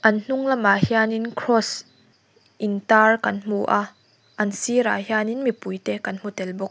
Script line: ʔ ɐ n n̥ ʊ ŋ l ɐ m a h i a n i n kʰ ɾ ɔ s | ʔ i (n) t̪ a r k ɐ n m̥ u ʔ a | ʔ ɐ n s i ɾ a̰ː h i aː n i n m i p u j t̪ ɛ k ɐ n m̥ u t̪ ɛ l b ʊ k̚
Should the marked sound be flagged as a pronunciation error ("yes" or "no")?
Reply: no